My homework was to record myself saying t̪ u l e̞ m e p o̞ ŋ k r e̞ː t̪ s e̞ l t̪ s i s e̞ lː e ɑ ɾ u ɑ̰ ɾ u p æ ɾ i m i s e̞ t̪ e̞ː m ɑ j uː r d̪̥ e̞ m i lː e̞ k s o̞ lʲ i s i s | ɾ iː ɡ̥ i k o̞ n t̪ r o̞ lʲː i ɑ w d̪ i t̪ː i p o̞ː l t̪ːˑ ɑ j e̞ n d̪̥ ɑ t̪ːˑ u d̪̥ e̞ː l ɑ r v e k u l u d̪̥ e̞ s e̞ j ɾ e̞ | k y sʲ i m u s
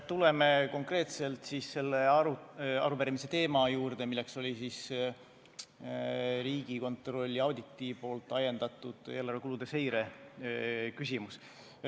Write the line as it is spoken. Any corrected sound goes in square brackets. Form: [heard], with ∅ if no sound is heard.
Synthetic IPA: t̪ u l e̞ m e [k] o̞ ŋ k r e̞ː t̪ s e̞ l t̪ s i s e̞ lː e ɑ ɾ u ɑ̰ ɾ u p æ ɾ i m i s e̞ t̪ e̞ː m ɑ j uː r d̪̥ e̞ m i lː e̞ k s o̞ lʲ i s i s | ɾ iː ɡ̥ i k o̞ n t̪ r o̞ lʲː i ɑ w d̪ i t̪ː i p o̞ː l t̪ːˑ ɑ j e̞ n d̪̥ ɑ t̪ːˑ u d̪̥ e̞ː l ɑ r v e k u l u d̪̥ e̞ s e̞ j ɾ e̞ | k y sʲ i m u s